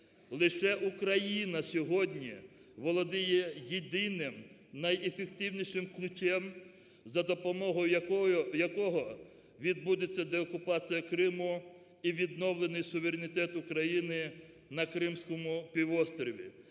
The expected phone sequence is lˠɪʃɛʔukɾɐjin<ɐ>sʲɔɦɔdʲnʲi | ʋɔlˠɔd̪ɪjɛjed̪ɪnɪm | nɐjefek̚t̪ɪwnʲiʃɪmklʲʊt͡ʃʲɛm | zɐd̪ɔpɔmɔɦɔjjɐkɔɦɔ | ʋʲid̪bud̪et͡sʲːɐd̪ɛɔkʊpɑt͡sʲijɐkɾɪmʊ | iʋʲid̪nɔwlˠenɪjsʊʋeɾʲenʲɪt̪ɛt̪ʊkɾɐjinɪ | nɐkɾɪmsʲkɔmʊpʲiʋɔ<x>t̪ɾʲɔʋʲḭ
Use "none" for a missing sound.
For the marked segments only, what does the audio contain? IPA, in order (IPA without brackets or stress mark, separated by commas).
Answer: ɐ, s